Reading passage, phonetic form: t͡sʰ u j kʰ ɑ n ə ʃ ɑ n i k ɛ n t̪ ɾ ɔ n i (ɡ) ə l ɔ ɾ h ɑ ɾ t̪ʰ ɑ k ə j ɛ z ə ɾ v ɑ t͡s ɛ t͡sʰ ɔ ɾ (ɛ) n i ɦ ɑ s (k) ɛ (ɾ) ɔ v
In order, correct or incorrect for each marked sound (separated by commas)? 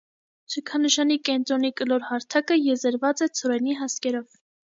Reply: incorrect, correct, correct, correct